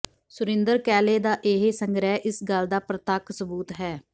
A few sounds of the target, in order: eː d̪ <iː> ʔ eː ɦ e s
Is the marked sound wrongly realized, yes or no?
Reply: yes